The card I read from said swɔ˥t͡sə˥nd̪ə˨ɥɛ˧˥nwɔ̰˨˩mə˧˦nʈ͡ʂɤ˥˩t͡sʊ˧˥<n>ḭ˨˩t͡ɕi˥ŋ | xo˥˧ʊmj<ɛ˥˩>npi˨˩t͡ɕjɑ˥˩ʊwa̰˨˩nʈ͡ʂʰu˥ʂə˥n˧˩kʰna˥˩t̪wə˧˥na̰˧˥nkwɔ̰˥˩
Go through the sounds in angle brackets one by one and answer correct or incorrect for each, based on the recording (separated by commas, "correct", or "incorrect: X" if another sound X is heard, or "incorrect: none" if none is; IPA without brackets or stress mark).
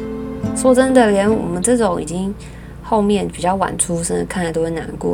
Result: incorrect: ŋ, correct